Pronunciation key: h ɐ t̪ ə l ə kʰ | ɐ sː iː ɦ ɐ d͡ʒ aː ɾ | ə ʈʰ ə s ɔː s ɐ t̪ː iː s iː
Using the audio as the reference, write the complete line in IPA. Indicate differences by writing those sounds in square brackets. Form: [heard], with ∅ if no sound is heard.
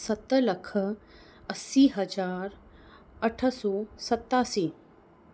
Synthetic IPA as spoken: [s] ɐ t̪ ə l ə kʰ | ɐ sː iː ɦ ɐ d͡ʒ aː ɾ | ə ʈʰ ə s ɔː s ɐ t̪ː [aː] s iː